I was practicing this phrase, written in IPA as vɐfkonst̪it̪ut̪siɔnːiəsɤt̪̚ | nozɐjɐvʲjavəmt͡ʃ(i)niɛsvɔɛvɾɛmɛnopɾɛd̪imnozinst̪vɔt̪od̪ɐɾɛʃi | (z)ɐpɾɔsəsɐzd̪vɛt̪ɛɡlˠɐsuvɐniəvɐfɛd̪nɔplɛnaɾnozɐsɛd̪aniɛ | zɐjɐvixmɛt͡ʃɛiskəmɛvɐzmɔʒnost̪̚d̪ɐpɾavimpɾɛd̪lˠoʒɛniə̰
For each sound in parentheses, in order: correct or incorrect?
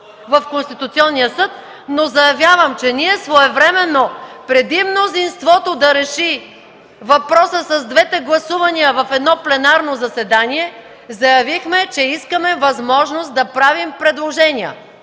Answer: incorrect, incorrect

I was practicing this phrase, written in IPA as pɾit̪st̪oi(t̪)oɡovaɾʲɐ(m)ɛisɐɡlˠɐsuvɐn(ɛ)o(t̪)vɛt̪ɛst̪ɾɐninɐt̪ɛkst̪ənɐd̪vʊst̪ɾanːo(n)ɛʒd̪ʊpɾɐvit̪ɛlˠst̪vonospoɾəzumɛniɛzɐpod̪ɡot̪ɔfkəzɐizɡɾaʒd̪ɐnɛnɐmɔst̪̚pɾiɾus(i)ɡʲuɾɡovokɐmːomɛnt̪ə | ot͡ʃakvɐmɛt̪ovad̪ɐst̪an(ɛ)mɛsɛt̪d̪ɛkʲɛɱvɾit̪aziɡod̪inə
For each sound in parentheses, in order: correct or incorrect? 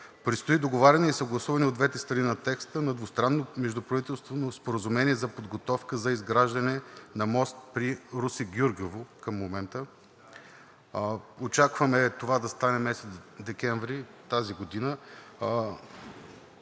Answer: incorrect, incorrect, incorrect, incorrect, incorrect, correct, correct

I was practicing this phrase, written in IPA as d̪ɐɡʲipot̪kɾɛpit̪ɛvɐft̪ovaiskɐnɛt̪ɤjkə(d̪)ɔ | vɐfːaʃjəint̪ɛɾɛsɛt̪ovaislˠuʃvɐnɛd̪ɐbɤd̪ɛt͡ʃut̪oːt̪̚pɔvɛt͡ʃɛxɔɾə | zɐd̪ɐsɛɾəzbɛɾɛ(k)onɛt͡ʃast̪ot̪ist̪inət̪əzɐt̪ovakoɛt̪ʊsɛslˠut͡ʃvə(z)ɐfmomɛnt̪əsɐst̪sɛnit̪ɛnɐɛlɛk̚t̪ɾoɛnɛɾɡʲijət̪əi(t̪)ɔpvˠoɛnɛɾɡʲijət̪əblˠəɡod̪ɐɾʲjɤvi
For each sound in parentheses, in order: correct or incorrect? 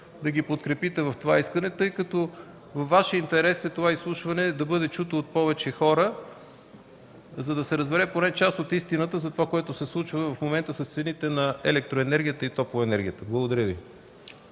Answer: incorrect, incorrect, incorrect, correct

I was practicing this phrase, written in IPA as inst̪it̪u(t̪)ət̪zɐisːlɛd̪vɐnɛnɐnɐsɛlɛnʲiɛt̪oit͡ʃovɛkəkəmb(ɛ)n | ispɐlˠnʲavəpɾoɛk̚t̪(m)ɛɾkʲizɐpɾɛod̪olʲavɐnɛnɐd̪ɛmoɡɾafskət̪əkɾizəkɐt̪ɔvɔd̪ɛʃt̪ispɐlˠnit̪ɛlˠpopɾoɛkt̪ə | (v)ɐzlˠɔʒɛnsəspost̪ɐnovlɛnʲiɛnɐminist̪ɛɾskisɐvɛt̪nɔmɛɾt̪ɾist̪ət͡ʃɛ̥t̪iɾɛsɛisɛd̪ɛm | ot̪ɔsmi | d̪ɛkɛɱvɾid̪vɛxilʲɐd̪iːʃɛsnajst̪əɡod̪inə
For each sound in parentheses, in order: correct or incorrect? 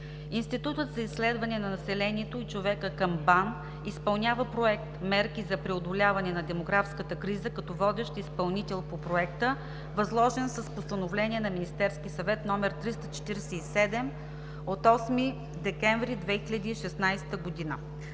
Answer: correct, incorrect, correct, correct

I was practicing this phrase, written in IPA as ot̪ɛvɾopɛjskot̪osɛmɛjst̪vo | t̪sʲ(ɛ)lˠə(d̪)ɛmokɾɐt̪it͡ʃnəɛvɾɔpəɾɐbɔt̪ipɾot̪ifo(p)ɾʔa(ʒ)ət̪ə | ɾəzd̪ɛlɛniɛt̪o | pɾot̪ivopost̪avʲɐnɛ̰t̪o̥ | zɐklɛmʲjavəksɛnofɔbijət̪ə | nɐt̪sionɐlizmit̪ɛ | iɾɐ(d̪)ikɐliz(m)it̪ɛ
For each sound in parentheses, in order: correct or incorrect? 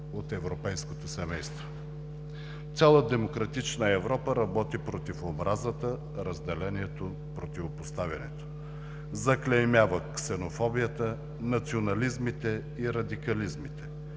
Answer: incorrect, correct, incorrect, incorrect, correct, correct

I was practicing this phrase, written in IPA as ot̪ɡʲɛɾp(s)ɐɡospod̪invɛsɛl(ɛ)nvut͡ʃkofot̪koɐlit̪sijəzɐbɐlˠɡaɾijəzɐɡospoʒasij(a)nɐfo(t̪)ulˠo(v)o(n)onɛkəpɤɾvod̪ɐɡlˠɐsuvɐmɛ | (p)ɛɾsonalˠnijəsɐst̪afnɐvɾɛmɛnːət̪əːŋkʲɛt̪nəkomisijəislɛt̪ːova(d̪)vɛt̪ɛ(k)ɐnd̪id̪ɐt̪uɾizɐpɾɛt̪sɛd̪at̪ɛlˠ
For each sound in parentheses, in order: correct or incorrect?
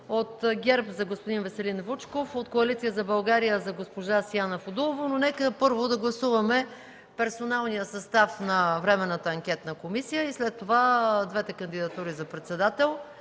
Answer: incorrect, incorrect, correct, incorrect, correct, correct, correct, correct, correct

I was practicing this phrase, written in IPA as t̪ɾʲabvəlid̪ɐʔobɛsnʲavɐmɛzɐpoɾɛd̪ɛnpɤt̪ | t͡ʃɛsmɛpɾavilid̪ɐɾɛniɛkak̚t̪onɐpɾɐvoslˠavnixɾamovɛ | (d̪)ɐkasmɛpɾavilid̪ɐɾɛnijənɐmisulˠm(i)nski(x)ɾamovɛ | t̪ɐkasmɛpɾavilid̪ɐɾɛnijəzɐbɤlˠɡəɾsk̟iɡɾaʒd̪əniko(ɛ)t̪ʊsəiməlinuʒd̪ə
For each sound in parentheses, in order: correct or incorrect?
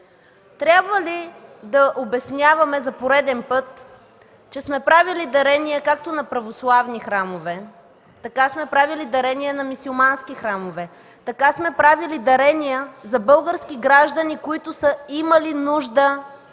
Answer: incorrect, incorrect, correct, incorrect

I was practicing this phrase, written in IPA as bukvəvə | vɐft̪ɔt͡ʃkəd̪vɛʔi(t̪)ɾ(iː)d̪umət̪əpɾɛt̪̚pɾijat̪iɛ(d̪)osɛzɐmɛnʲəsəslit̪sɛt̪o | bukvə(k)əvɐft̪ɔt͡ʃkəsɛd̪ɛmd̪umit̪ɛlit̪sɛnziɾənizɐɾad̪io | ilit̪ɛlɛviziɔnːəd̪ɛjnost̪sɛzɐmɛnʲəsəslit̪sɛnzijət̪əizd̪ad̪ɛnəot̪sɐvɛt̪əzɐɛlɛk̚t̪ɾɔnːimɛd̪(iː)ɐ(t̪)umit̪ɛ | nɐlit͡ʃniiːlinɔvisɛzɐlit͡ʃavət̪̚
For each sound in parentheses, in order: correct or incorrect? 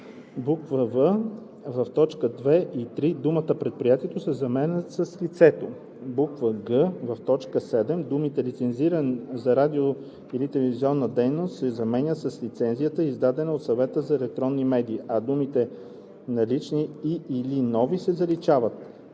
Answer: correct, incorrect, incorrect, incorrect, correct, incorrect

